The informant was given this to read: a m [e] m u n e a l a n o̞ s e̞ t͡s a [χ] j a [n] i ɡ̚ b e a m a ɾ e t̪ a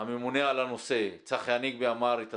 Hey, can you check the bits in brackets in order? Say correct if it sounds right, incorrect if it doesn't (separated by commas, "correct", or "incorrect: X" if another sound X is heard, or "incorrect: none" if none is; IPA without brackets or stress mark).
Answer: correct, correct, correct